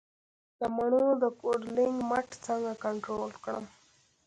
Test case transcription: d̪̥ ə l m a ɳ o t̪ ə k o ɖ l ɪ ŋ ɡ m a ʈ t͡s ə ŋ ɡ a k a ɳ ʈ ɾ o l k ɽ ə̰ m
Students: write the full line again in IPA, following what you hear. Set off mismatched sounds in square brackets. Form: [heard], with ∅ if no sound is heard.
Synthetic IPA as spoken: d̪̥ ə [∅] m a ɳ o [d̪] ə k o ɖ l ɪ ŋ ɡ m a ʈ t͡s ə ŋ ɡ a k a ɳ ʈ ɾ o l k ɽ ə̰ m

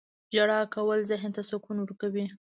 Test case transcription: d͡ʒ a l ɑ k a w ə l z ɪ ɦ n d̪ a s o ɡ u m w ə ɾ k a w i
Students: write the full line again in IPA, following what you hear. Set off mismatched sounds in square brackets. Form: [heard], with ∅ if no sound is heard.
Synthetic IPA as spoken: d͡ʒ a [ɽ] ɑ k a w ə l z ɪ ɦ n [t̪] a s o [k] u [n] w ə ɾ k a w i

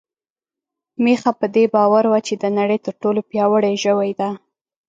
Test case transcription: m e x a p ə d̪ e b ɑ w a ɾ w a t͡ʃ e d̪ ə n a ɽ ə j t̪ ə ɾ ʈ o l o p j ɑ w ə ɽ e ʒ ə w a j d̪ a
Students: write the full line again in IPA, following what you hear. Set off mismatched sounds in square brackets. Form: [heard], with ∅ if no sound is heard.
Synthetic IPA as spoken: m e x a p ə d̪ e b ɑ w a ɾ w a t͡ʃ e d̪ ə n a ɽ ə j t̪ ə ɾ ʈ o l o p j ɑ w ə ɽ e ʒ ə w a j d̪ a

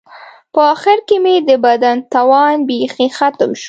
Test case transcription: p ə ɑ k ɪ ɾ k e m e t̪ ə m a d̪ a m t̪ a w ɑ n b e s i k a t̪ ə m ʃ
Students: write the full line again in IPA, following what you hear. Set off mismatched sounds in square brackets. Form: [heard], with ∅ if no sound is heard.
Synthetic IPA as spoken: p ə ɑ [x] ɪ ɾ k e m e [d̪] ə [b] a d̪ a [n] t̪ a w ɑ n b e [x] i [x] a t̪ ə m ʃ

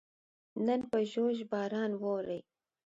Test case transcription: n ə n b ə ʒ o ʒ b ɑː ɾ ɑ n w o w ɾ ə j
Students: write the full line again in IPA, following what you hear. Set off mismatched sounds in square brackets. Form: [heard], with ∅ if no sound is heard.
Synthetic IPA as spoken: n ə n [p] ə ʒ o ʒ b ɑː ɾ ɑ n w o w ɾ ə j

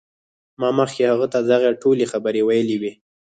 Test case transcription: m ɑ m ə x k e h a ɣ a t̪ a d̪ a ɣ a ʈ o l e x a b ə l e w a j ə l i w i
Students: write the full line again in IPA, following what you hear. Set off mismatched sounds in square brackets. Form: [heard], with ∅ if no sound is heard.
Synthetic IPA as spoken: m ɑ m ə x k e h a ɣ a t̪ a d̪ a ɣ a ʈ o l e x a b ə [ɾ] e w a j ə l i w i

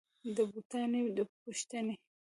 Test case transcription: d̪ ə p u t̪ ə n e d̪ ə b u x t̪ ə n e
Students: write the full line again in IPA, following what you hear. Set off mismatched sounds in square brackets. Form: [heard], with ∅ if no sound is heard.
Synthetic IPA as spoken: d̪ ə [b] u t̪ [ɑ] n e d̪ ə [p] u [ʃ] t̪ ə n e

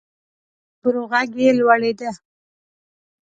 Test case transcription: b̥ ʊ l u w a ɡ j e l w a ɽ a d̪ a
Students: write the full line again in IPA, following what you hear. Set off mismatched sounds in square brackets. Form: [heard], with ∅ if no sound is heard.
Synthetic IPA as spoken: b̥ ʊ [ɾ] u [ɣ] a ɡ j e l w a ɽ [e] d̪ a

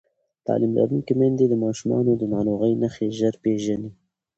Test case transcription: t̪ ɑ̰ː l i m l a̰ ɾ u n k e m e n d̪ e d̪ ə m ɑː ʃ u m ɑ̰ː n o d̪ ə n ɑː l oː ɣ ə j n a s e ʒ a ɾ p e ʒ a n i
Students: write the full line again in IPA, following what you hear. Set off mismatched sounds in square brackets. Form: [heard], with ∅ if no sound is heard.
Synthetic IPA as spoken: t̪ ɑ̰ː l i m l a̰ ɾ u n k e m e n d̪ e d̪ ə m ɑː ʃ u m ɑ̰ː n o d̪ ə n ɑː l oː ɣ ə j n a [x] e ʒ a ɾ p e ʒ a n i

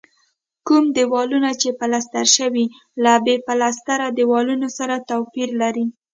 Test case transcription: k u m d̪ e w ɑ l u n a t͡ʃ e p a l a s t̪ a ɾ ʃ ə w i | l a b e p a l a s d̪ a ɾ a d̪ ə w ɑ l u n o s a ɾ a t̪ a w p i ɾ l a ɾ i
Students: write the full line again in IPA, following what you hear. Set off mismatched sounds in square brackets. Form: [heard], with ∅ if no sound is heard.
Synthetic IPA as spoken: k u m d̪ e w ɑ l u n a t͡ʃ e p a l a s t̪ a ɾ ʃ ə w i | l a b e p a l a s [t̪] a ɾ a d̪ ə w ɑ l u n o s a ɾ a t̪ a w p i ɾ l a ɾ i

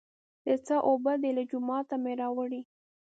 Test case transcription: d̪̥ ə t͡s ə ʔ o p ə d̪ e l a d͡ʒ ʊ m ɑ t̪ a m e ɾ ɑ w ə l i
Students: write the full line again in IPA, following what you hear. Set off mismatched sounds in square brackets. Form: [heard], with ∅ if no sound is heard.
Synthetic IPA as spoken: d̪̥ ə t͡s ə ʔ o [b] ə d̪ e l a d͡ʒ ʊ m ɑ t̪ a m e ɾ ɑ w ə [ɽ] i

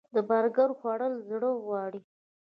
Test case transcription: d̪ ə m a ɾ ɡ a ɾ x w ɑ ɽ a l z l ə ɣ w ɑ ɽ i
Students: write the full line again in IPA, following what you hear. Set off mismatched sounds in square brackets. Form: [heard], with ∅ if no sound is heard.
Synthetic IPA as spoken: d̪ ə [b] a ɾ ɡ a ɾ x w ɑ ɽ [ə] l z [ɽ] ə ɣ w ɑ ɽ i

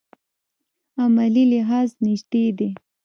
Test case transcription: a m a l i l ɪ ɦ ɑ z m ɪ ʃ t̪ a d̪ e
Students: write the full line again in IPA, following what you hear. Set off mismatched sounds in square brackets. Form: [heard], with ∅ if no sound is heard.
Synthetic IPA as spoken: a m a l i l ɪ ɦ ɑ z [n] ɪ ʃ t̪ [e] d̪ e

